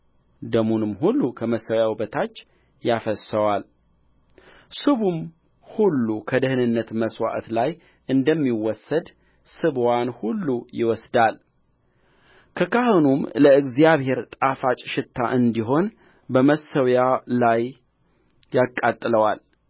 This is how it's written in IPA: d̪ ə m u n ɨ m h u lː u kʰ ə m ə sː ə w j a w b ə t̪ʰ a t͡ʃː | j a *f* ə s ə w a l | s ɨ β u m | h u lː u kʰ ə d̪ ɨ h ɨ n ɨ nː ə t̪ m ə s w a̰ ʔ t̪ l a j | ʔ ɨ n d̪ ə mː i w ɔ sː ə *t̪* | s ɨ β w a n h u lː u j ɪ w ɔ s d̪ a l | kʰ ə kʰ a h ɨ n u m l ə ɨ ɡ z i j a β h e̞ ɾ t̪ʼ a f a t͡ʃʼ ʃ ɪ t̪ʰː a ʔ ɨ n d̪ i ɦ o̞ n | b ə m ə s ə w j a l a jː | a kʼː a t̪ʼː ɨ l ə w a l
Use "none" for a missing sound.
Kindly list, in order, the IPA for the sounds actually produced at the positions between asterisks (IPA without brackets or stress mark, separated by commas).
f, d̪